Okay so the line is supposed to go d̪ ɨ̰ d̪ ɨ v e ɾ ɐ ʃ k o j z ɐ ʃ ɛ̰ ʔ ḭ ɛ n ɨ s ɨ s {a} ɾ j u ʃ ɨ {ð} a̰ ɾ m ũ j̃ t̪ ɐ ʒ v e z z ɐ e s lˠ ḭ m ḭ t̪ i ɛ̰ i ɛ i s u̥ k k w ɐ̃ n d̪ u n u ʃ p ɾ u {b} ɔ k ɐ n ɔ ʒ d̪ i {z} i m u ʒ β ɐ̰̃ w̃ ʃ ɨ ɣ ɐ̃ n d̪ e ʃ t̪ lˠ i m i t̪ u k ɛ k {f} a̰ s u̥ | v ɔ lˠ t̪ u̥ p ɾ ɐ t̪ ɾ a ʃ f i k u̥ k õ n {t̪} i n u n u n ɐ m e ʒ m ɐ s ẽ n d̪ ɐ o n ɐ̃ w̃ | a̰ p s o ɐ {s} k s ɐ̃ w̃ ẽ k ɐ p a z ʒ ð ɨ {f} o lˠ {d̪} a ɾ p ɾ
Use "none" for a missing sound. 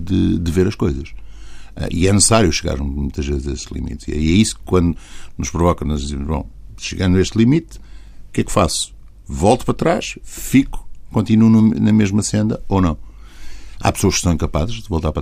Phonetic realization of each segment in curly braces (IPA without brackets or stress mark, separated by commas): a, ɣ, v, z, f, t̪, ʃ, v, t̪